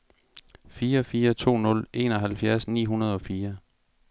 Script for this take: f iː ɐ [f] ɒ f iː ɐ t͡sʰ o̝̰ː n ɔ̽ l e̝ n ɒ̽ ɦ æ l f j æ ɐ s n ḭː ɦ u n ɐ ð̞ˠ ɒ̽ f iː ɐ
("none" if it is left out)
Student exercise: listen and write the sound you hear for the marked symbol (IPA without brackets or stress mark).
none